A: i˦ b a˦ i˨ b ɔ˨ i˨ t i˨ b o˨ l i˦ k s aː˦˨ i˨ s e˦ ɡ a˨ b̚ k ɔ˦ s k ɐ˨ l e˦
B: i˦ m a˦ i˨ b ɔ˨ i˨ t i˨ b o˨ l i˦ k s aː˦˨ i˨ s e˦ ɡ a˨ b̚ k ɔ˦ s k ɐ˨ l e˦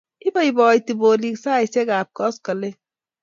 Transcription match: A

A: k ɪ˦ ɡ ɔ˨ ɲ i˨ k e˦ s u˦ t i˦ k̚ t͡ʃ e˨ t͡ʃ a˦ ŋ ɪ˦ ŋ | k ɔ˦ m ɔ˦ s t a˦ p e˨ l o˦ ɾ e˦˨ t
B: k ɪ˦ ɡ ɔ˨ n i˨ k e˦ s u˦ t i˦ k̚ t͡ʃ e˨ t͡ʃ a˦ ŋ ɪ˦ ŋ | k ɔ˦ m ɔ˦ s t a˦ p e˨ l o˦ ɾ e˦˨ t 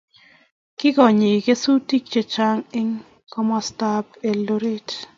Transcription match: A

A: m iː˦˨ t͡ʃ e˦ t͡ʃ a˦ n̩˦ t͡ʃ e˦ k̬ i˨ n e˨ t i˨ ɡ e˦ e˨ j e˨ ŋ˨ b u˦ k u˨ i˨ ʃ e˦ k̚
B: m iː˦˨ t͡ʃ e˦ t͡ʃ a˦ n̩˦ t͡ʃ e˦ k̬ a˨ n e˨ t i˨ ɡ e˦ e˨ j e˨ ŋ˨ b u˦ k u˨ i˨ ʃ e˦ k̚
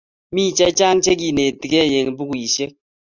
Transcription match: A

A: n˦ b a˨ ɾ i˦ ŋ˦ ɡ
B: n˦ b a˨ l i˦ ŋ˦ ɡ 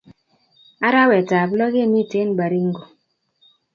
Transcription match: A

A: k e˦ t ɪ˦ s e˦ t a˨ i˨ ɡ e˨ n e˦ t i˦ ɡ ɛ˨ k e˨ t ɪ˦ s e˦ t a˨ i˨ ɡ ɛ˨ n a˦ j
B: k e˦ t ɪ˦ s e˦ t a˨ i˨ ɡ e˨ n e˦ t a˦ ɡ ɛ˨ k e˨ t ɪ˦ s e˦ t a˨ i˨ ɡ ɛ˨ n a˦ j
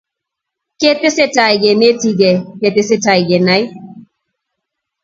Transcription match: A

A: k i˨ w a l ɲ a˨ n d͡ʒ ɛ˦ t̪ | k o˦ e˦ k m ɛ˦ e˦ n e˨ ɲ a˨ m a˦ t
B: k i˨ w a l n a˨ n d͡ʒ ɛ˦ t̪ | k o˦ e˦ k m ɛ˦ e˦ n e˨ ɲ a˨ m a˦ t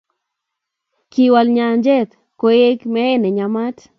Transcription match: A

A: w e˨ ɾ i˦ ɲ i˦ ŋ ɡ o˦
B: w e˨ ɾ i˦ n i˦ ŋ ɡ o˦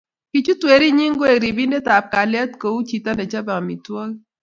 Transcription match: A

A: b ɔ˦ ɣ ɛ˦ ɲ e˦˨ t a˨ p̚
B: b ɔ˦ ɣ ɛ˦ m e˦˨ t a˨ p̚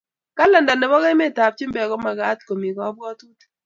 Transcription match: B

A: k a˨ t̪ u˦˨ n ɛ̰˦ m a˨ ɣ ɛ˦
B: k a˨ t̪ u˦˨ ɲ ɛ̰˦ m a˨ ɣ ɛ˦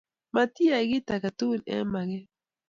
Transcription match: A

